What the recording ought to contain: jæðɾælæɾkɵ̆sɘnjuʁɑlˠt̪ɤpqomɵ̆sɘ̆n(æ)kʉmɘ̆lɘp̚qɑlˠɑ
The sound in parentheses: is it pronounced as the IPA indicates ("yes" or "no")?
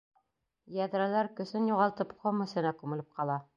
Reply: yes